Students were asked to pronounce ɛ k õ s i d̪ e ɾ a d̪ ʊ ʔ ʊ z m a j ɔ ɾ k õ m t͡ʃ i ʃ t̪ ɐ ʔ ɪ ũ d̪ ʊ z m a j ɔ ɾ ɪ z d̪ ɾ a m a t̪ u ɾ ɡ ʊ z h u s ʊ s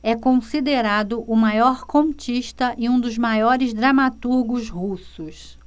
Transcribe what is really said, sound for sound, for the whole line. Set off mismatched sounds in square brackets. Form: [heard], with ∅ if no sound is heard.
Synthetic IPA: ɛ k õ s i d̪ e ɾ a d̪ ʊ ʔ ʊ [∅] m a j ɔ ɾ k õ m t͡ʃ i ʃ t̪ ɐ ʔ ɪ ũ d̪ ʊ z m a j ɔ ɾ ɪ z d̪ ɾ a m a t̪ u ɾ ɡ ʊ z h u s ʊ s